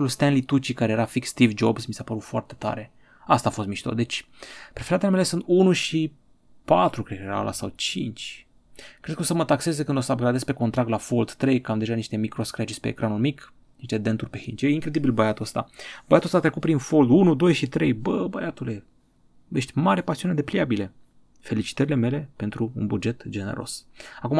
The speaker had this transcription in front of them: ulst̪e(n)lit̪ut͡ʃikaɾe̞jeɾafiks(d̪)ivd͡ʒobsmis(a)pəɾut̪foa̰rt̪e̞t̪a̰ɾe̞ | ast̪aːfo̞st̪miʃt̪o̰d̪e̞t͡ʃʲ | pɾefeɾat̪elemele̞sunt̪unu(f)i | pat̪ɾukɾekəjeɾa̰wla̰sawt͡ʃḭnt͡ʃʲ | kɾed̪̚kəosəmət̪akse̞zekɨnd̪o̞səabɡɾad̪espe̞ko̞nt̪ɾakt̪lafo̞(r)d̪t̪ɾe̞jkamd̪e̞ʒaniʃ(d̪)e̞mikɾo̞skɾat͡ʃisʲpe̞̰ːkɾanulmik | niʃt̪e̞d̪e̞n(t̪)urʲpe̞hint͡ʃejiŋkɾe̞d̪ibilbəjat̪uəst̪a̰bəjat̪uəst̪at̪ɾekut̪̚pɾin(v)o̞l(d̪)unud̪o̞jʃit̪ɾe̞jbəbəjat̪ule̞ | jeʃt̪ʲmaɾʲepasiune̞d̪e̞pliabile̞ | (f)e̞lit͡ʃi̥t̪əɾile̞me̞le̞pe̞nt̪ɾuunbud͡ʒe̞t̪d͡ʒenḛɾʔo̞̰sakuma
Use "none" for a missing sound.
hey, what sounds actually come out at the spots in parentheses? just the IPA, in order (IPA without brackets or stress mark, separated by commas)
n, t̪, a, ʃ, l, t̪, t̪, f, d̪, f